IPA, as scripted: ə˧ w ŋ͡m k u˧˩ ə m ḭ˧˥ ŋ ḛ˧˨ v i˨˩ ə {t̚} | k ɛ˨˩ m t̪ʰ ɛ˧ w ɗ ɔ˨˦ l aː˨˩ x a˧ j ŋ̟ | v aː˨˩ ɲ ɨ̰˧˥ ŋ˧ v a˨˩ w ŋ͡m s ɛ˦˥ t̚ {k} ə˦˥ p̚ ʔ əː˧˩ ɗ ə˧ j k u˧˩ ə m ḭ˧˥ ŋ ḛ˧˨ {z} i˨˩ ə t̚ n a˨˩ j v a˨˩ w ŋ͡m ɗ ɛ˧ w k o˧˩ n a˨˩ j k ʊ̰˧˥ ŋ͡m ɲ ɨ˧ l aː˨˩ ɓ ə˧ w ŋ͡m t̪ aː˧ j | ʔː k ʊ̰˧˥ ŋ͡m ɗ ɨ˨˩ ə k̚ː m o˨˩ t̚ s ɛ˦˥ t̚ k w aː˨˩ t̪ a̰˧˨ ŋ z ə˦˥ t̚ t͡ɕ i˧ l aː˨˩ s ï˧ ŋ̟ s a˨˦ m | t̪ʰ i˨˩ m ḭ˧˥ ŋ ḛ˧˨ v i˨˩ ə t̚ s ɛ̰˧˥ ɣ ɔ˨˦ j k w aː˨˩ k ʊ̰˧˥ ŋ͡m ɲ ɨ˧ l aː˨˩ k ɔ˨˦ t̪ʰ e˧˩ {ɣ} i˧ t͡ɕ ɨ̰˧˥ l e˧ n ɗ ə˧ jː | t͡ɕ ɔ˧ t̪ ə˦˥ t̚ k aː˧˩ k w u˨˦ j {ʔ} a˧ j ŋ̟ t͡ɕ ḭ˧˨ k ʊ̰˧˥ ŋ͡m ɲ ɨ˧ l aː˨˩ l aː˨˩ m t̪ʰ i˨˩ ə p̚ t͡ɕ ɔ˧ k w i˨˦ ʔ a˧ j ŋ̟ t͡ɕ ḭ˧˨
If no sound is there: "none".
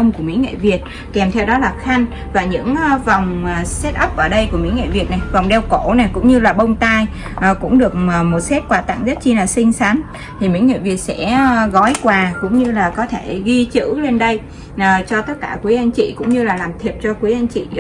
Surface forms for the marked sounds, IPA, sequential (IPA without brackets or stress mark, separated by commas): t̚, ʔ, v, ɣ, ʔ